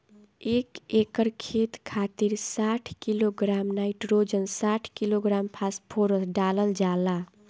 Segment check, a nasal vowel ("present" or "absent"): absent